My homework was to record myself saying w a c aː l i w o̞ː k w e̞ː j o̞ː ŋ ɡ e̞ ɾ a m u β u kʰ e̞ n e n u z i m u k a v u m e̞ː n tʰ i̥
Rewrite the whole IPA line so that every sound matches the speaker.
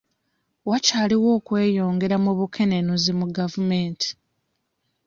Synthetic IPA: w a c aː l i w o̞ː k w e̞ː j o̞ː ŋ ɡ e̞ ɾ a m u β u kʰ e̞ n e n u z i m u ɡ a v u m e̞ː n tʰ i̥